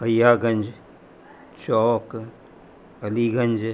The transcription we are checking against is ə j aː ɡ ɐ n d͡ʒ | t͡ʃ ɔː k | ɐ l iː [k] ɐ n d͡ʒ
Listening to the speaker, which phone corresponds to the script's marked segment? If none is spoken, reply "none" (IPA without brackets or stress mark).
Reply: ɡ